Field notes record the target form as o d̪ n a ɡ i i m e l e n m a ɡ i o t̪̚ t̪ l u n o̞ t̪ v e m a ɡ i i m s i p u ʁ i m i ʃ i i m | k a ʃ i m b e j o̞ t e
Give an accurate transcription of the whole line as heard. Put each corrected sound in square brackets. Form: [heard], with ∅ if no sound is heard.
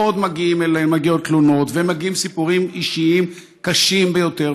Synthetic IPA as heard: o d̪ [m] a ɡ i i m e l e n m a ɡ i o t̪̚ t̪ l u n o̞ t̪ v e m a ɡ i i m s i p u ʁ i m i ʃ i i m | k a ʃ i m b e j o̞ t e

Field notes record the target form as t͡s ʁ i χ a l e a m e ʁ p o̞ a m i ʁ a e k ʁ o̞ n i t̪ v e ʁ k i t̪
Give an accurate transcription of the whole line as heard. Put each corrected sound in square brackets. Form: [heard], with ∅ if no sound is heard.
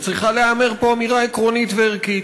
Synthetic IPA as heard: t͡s ʁ i χ a l e a m e ʁ p o̞ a m i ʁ a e k ʁ o̞ n i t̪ v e ʁ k i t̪

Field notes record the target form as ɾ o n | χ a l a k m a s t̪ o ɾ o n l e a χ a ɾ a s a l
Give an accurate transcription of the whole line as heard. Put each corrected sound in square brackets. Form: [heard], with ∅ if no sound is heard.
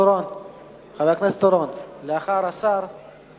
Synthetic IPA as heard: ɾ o n | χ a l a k [n] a s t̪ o ɾ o n l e a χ a ɾ a s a [ɾ]

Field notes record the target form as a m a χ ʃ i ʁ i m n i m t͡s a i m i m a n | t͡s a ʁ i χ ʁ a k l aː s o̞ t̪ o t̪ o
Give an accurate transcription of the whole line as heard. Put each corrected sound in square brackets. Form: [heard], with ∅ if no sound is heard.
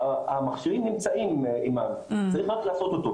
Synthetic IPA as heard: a m a χ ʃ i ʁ i m n i m t͡s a i m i m a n | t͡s a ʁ i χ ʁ a k l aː s o̞ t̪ o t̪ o

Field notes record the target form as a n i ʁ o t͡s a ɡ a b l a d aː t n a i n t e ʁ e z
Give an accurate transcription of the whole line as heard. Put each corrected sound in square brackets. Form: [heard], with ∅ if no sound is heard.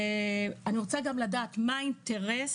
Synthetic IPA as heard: a n i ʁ o t͡s a ɡ a [m] l a d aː t [m] a i n t e ʁ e [s]

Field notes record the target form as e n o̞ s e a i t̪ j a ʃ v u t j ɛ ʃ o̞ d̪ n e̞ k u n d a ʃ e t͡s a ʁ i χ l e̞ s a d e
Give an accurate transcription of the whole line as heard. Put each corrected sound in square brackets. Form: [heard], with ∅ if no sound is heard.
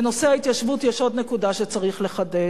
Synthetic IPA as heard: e n o̞ s e a i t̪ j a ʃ v u t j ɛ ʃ o̞ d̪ n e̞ k u [∅] d a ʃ e t͡s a ʁ i χ l e̞ [χ] a d e

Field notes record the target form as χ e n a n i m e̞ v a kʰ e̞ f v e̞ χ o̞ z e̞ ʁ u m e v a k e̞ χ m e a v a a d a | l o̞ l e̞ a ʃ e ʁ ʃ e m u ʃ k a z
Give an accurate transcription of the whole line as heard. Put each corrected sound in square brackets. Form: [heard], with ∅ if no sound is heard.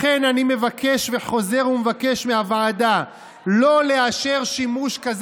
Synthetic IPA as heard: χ e n a n i m e̞ v a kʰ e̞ [ʃ] v e̞ χ o̞ z e̞ ʁ u m e v a k e̞ [ʃ] m e a v a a d a | l o̞ l e̞ a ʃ e ʁ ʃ [i] m u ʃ k a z

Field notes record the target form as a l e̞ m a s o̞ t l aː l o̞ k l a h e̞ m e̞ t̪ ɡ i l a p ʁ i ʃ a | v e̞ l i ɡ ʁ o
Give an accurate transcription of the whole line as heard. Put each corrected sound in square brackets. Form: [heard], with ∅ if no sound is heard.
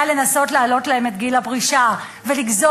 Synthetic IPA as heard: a l e̞ [n] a s o̞ t l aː l o̞ [t] l a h e̞ m e̞ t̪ ɡ i l a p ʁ i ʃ a | v e̞ l i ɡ [z] o

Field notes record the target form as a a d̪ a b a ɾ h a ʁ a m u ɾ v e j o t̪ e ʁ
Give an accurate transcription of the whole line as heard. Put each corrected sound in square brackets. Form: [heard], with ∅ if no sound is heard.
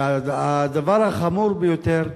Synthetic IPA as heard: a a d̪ a [v] a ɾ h a [χ] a m u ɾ [b] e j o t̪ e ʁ

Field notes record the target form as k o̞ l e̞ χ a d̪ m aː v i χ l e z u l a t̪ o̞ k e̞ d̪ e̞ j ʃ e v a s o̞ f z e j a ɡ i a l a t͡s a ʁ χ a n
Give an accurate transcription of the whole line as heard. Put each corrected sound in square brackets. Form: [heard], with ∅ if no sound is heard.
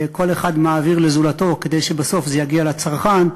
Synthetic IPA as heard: k o̞ l e̞ χ a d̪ m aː v i [ʁ] l e z u l a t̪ o̞ k e̞ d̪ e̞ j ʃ e [b] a s o̞ f z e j a ɡ i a l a t͡s a ʁ χ a n

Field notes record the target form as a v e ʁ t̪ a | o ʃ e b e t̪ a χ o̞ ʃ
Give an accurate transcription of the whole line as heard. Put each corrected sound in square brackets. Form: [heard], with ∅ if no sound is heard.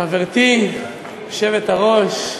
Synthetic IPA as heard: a v e ʁ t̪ [i] | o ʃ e [v] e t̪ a [ʁ] o̞ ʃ

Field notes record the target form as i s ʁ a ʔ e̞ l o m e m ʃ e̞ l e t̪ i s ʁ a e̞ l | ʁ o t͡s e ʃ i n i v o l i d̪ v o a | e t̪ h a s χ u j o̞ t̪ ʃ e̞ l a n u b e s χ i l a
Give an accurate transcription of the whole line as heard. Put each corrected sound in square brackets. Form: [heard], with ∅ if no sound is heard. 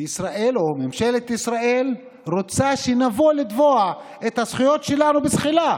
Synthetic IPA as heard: i s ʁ a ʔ e̞ l o m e m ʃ e̞ l e t̪ i s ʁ a e̞ l | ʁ o t͡s [a] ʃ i n [a] v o l i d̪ v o a | e t̪ h a s χ u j o̞ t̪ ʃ e̞ l a n u b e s χ i l a

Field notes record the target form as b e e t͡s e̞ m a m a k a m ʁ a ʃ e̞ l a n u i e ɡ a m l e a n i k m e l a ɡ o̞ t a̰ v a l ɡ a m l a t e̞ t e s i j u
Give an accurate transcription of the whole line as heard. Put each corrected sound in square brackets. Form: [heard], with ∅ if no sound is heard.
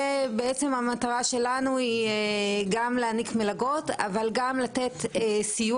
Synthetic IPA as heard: b e e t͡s e̞ m a m a [t] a [∅] ʁ a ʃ e̞ l a n u i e ɡ a m l e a n i k m e l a ɡ o̞ t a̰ v a l ɡ a m l a t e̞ t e s i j u

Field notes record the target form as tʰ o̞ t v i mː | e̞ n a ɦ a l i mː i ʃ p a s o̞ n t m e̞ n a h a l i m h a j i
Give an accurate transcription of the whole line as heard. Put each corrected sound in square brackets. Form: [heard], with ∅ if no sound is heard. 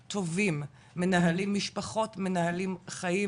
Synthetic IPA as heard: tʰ o̞ [∅] v i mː | e̞ n a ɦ a l i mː i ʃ p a [χ] o̞ [∅] t m e̞ n a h a l i m [χ] a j i

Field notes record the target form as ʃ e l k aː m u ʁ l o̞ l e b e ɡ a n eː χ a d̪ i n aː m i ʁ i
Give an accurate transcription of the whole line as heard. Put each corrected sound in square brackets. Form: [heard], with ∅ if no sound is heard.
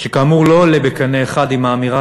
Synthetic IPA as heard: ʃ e [∅] k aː m u ʁ l o̞ l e b e [k] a n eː χ a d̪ i [m] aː m i ʁ [a]

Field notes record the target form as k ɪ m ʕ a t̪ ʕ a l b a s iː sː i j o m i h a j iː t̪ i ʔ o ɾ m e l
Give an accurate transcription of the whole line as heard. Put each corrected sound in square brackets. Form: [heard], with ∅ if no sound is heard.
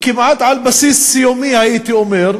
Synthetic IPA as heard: k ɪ m ʕ a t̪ ʕ a l b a s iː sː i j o m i h a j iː t̪ i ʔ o [∅] m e [ɾ]

